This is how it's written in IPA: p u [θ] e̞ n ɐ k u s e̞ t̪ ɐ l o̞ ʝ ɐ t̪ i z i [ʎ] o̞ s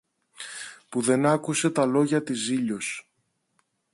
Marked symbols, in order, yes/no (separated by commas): no, yes